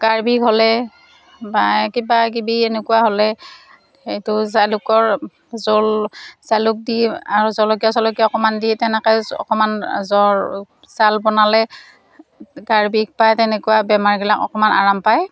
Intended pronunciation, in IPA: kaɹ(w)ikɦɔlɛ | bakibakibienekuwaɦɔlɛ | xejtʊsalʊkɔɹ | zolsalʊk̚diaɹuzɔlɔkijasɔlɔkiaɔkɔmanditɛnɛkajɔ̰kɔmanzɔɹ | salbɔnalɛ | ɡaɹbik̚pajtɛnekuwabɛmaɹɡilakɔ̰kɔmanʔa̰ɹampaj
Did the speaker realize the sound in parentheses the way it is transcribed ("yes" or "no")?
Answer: no